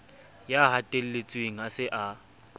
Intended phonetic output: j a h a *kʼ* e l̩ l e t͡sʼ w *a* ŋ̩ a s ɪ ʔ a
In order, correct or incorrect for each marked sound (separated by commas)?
incorrect, incorrect